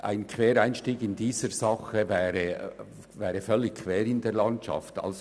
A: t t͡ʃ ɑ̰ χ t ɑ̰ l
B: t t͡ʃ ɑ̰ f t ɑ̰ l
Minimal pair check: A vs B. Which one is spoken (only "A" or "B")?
B